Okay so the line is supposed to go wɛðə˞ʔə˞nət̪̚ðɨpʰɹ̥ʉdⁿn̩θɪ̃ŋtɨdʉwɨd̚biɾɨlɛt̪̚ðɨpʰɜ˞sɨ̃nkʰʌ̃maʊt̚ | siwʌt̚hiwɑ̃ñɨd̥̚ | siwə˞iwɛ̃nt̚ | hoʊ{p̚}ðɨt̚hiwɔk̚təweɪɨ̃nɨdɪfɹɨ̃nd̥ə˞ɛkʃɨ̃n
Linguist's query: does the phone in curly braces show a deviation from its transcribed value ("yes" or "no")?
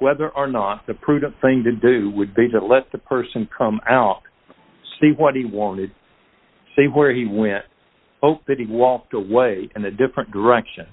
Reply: no